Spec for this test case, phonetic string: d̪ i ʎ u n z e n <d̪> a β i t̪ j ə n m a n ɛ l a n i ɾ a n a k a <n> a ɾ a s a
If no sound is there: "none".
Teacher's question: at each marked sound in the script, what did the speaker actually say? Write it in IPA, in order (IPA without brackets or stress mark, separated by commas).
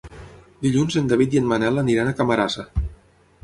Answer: d̪, m